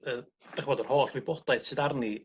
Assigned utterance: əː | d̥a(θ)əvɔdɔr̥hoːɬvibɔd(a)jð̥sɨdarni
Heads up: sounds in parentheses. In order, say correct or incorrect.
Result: incorrect, correct

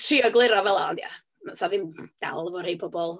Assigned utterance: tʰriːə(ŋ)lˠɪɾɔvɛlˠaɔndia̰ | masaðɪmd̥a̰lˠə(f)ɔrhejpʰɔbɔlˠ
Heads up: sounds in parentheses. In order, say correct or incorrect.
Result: incorrect, incorrect

